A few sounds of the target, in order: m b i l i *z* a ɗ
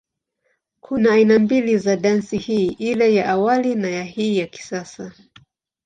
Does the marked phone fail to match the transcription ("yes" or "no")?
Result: no